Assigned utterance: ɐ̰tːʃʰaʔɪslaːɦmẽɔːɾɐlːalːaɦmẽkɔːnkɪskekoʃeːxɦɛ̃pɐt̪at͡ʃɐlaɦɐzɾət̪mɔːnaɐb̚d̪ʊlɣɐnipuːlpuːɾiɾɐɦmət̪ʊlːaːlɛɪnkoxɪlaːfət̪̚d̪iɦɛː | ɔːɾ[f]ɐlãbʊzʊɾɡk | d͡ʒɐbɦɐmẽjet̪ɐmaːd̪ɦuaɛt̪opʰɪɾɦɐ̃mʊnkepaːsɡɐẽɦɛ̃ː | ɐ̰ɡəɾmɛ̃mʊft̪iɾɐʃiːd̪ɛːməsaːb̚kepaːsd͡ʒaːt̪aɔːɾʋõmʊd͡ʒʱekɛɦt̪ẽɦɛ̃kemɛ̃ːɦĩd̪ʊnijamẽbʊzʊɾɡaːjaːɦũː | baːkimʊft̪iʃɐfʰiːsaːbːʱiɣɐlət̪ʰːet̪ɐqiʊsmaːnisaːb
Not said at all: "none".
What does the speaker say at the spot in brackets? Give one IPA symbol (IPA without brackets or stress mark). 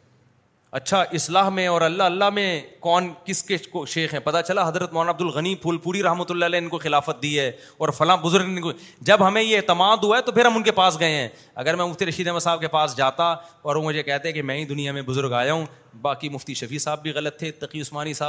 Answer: f